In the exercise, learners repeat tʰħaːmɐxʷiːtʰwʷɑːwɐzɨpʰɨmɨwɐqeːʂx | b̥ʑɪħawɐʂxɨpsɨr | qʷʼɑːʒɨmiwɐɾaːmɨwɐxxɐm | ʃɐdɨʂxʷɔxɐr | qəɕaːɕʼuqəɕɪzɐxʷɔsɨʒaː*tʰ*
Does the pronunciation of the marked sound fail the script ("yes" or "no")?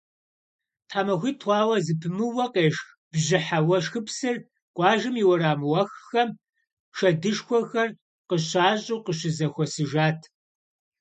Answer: no